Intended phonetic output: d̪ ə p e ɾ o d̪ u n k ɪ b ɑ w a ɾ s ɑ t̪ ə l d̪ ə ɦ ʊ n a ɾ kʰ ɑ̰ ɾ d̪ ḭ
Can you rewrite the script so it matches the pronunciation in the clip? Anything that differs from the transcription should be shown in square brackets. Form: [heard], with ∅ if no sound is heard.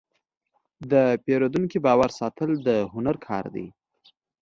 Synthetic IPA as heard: d̪ ə p e ɾ o d̪ u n k [i] b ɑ w a ɾ s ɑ t̪ ə l d̪ ə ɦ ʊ n a ɾ kʰ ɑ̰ ɾ d̪ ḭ